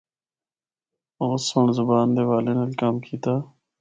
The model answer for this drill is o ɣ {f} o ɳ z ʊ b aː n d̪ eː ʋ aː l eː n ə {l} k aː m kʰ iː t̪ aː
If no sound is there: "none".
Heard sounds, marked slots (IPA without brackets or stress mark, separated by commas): s, l